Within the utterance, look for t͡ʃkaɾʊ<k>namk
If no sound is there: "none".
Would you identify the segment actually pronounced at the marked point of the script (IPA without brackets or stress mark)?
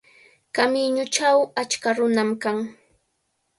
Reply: none